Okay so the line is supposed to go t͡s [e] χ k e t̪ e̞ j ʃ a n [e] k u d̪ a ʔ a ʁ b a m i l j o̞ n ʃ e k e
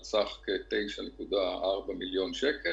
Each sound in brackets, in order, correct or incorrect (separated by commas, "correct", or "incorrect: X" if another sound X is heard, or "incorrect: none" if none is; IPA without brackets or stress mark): incorrect: a, correct